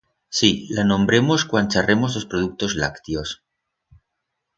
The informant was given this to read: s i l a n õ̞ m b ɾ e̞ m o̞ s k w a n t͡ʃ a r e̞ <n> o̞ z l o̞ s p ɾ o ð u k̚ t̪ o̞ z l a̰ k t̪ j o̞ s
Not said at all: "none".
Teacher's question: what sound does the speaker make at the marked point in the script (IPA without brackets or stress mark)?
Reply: m